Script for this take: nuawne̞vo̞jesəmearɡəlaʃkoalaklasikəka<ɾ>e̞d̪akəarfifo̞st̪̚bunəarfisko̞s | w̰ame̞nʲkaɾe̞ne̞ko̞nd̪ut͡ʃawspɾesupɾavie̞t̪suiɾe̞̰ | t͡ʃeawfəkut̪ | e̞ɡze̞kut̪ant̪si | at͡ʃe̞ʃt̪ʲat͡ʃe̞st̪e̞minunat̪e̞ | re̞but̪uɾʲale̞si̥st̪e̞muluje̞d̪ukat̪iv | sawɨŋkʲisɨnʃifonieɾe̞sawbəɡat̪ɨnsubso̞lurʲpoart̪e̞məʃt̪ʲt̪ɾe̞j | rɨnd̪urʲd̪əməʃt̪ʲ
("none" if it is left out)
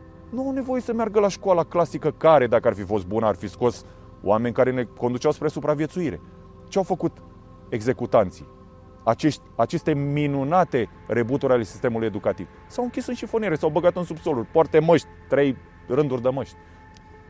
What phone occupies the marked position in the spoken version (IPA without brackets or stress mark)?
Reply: ɾ